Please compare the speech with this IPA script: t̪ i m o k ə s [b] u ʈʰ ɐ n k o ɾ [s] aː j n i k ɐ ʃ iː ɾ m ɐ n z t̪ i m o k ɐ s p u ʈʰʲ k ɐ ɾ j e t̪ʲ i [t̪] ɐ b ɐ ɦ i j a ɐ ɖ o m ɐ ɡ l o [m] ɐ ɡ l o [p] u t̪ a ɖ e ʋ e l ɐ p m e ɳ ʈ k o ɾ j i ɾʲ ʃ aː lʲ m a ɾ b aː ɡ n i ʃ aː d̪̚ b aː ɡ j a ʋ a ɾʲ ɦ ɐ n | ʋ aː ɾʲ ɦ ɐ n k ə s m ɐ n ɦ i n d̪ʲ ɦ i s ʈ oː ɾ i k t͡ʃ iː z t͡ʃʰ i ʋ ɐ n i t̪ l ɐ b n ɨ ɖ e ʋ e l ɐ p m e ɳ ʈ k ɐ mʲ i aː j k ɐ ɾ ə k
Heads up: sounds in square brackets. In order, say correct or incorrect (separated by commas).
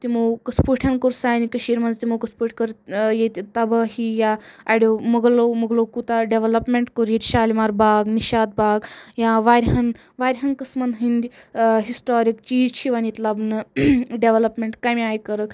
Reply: incorrect, correct, correct, correct, incorrect